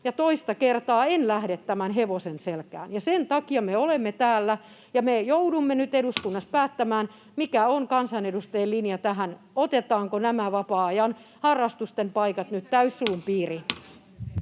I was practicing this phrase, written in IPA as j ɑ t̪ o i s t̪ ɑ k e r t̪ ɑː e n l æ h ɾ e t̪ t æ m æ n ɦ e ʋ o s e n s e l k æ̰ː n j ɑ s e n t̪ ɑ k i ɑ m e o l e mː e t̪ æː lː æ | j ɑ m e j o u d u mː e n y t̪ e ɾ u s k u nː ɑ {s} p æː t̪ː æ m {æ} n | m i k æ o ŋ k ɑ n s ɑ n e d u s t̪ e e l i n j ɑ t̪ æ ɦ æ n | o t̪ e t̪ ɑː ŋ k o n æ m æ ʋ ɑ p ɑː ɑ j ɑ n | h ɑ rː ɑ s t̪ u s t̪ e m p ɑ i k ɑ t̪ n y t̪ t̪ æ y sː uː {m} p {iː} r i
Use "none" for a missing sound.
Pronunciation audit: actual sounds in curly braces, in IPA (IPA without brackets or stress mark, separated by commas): s, æː, m, iː